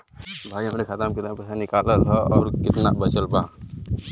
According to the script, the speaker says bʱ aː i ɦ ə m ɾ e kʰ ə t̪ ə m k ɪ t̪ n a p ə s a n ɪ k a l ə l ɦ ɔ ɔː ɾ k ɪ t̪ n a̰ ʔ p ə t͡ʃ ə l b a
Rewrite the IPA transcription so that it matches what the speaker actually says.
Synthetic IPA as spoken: bʱ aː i ɦ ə m ɾ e kʰ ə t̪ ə m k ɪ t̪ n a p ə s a n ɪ k a l ə l ɦ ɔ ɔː ɾ k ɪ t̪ n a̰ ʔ b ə t͡ʃ ə l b a